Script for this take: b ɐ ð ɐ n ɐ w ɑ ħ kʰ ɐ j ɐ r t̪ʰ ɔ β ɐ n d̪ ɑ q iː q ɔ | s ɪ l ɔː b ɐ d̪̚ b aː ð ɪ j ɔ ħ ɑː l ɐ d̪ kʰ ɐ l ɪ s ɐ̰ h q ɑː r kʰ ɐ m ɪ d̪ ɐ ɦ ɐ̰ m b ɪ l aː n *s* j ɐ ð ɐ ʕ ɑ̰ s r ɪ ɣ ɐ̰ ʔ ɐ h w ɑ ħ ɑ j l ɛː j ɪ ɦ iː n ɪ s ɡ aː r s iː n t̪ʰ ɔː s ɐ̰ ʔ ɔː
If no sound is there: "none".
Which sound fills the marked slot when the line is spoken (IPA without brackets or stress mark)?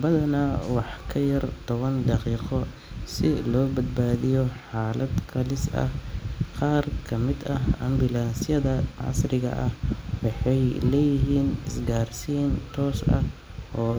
s